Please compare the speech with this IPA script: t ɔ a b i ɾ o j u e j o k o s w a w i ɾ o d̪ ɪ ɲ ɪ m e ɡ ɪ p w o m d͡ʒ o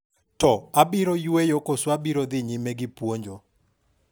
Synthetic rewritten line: t ɔ a b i ɾ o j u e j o k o s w a b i ɾ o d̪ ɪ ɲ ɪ m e ɡ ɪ p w o ɲ d͡ʒ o